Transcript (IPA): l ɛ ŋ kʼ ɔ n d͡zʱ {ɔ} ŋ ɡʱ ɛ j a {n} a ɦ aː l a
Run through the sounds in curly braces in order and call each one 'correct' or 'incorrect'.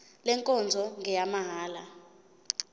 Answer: correct, incorrect

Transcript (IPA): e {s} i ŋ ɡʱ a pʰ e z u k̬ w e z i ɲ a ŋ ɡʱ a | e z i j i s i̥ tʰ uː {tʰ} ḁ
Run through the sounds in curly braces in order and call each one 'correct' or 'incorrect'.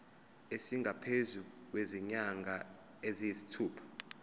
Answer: correct, incorrect

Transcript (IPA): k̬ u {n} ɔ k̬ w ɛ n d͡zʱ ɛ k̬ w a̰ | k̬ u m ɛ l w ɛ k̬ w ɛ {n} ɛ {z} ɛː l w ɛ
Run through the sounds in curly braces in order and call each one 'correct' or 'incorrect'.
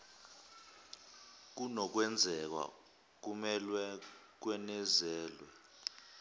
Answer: correct, correct, correct

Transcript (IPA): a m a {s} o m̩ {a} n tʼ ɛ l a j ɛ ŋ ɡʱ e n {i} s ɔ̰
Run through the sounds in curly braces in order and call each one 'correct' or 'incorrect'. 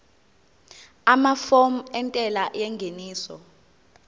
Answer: incorrect, incorrect, incorrect

